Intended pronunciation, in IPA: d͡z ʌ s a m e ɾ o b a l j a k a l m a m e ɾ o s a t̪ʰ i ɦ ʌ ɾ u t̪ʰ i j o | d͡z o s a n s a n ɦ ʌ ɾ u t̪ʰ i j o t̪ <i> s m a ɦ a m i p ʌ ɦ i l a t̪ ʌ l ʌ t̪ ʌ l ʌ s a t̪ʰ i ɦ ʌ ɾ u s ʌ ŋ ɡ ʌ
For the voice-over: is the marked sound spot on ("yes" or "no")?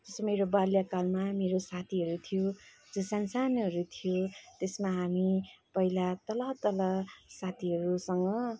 no